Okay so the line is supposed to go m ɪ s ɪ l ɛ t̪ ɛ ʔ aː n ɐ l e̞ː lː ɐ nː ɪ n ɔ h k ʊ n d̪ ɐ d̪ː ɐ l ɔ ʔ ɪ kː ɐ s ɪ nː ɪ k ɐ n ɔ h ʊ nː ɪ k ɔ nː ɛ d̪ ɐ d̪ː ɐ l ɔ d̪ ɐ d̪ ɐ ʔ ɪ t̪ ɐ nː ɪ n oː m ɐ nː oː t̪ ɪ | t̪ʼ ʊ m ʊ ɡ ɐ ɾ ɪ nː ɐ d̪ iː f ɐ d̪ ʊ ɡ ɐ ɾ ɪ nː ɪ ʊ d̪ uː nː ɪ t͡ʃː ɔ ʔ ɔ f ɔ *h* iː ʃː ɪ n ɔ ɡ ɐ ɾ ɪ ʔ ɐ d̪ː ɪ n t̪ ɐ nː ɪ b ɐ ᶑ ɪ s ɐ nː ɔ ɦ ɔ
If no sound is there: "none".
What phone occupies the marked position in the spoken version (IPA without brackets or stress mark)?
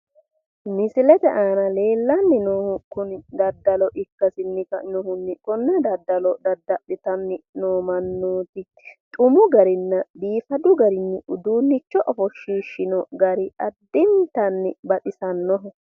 ʃ